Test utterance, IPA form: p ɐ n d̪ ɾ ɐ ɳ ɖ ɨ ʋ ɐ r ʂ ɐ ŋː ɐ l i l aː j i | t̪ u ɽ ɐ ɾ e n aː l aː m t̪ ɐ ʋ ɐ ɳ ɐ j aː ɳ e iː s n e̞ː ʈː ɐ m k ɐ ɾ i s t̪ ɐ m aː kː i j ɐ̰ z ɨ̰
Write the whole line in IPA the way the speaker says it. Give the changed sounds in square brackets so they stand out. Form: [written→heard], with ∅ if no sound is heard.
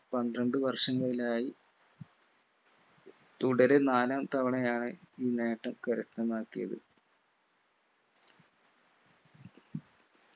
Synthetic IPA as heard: p ɐ n d̪ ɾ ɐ ɳ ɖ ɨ ʋ ɐ r ʂ ɐ ŋː ɐ [l→ɭ] i l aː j i | t̪ u ɽ ɐ ɾ e n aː l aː m t̪ ɐ ʋ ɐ ɳ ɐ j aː ɳ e iː [s→∅] n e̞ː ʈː ɐ m k ɐ ɾ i s t̪ ɐ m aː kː i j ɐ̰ [z→ð] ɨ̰